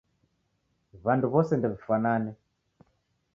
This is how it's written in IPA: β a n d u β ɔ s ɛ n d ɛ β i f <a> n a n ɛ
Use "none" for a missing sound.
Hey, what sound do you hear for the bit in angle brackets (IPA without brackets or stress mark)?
a